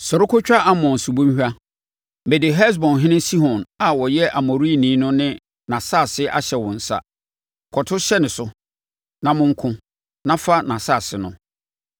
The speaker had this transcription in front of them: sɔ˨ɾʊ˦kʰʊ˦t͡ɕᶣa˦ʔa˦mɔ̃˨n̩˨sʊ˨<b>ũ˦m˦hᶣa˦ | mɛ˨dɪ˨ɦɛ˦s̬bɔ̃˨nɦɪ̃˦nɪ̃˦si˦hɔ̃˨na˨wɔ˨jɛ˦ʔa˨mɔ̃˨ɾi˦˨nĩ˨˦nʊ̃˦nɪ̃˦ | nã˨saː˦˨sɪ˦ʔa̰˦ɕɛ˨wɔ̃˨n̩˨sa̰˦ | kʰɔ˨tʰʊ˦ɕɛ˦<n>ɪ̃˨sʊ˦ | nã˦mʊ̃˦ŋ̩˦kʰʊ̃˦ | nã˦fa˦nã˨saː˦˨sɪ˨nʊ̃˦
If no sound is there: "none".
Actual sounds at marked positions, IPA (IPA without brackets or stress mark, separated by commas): b, n